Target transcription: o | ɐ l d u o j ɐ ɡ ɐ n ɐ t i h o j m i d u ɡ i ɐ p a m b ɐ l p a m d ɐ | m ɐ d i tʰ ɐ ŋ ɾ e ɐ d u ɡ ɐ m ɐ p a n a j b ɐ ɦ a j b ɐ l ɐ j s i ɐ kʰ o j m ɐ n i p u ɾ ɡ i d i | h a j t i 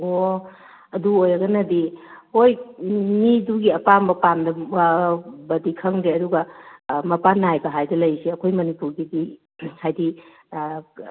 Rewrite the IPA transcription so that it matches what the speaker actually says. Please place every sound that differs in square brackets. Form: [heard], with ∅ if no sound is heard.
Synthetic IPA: o | ɐ [∅] d u o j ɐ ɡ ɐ n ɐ [d] i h o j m i d u ɡ i ɐ p a m b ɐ [∅] p a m d ɐ | [b] ɐ d i [kʰ] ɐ ŋ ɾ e ɐ d u ɡ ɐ m ɐ p a n a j b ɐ ɦ a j [d] ɐ l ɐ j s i ɐ kʰ o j m ɐ n i p u ɾ ɡ i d i | h a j [d] i